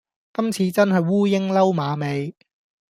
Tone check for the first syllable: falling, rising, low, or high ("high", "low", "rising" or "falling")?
high